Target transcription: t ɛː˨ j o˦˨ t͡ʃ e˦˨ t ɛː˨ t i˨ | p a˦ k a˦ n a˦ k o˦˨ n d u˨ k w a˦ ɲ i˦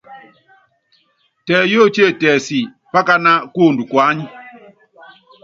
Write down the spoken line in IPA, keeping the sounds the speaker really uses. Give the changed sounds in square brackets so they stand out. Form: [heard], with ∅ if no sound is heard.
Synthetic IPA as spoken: t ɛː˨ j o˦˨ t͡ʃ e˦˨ t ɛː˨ [s] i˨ | p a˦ k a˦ n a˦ k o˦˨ n d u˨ k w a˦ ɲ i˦